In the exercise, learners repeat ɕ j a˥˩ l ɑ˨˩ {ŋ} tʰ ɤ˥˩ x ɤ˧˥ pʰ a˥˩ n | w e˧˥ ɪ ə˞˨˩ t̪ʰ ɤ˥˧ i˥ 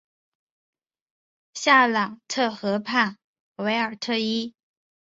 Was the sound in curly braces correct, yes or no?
yes